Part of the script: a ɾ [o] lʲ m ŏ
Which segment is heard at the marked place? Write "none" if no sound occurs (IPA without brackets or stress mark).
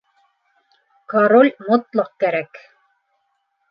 o